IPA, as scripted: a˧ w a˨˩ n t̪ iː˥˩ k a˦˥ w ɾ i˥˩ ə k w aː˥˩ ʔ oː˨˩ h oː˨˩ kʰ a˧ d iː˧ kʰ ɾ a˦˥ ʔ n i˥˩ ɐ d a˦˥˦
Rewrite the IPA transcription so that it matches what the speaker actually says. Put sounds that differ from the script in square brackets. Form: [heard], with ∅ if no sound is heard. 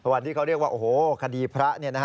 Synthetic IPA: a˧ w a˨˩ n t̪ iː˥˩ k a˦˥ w ɾ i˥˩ ə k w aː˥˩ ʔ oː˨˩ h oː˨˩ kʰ a˧ d iː˧ [pʰ] ɾ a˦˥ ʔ n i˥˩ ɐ [n] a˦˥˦